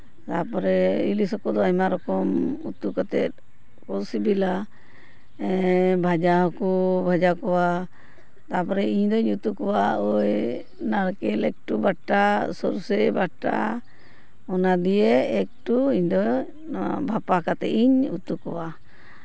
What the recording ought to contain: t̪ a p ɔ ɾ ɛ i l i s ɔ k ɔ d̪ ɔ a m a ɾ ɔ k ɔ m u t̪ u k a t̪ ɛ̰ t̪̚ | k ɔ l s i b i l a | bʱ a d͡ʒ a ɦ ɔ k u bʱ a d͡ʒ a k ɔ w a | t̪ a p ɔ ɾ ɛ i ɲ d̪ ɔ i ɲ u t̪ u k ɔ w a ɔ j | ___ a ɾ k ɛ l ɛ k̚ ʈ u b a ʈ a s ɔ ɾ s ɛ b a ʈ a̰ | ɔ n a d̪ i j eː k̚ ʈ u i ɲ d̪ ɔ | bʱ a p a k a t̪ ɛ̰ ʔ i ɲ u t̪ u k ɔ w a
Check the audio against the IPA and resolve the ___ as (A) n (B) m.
A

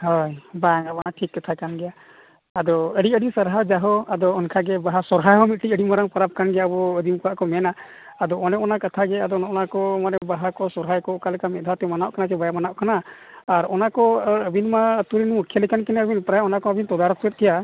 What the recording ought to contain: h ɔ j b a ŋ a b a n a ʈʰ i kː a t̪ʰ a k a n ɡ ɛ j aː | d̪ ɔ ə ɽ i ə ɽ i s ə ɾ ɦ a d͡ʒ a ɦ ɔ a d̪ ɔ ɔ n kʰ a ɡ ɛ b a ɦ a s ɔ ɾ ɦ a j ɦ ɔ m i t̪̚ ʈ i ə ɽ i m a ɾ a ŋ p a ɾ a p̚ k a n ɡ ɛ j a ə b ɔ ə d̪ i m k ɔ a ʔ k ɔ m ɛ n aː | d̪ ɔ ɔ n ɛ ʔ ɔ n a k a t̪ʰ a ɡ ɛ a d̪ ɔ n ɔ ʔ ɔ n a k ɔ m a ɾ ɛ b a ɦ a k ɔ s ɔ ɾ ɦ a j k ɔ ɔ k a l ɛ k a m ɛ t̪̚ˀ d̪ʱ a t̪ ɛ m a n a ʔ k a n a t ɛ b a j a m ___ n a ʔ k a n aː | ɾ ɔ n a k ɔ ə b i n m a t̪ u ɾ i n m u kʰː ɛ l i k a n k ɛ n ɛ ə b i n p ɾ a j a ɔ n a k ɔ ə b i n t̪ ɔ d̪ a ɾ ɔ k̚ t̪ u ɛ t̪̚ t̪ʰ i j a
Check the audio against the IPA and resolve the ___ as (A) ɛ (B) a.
B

